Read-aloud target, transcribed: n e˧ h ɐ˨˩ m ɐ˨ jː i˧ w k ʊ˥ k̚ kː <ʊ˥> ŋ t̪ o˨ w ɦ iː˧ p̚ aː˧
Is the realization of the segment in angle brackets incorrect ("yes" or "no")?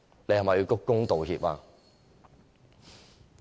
no